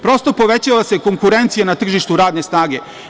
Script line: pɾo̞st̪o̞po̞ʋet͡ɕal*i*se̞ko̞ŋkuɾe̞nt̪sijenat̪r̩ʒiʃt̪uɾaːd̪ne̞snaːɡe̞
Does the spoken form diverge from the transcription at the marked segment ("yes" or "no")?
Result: yes